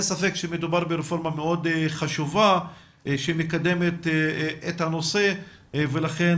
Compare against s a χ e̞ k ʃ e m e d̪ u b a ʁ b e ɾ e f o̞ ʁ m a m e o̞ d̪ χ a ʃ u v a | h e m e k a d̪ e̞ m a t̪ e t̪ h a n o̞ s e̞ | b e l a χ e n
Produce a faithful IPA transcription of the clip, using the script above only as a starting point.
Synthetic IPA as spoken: s a f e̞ k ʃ e m e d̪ u b a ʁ b e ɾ e f o̞ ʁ m a m e o̞ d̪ χ a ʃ u v a | ʃ e m e k a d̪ e̞ m e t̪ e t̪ h a n o̞ s e̞ | v e l a χ e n